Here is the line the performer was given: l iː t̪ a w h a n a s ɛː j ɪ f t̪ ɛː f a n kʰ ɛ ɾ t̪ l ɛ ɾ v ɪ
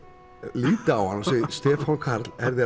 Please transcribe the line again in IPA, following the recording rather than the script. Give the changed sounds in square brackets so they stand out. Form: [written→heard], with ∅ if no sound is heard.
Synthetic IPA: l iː t̪ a w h a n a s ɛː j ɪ [f→s] t̪ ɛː f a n kʰ [ɛ→a] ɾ t̪ l ɛ ɾ [v→ð] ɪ